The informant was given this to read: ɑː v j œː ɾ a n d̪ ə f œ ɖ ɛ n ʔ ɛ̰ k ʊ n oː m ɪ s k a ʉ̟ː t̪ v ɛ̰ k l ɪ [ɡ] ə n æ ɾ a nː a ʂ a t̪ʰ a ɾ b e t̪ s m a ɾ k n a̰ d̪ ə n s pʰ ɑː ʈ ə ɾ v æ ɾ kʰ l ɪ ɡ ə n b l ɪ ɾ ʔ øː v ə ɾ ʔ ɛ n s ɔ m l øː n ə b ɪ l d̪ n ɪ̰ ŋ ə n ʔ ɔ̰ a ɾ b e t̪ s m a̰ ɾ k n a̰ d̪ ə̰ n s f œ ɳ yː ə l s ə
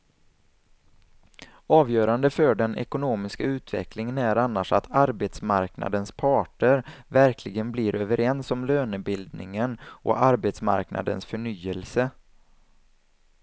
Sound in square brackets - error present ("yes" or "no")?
yes